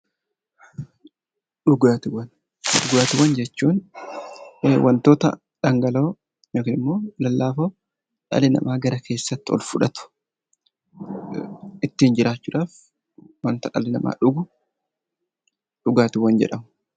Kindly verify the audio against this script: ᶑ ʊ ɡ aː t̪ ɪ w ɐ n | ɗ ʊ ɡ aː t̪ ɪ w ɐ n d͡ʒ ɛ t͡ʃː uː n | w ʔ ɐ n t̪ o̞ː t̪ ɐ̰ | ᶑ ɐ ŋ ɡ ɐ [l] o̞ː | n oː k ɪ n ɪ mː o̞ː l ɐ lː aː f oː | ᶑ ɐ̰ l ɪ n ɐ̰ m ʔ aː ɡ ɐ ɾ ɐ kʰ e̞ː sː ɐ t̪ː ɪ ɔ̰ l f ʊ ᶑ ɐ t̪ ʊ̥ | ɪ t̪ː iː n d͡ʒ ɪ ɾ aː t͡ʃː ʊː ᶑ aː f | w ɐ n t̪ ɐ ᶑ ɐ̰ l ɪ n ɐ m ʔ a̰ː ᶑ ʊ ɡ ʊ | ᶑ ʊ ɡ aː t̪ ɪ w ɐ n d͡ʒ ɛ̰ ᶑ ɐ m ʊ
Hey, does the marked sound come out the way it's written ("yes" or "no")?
yes